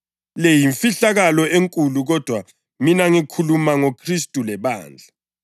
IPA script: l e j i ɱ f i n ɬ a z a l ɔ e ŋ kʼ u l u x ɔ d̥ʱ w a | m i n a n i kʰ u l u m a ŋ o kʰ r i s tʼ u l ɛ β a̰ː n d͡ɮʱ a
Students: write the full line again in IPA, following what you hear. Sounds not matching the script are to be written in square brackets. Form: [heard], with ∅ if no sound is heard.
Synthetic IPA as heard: l e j i ɱ f i [∅] ɬ a [ɣ] a l ɔ e ŋ kʼ u l u [ɣ] ɔ d̥ʱ w a | m i n a [ŋ] i kʰ u l u m a ŋ o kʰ r i s tʼ u l ɛ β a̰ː n d͡ɮʱ a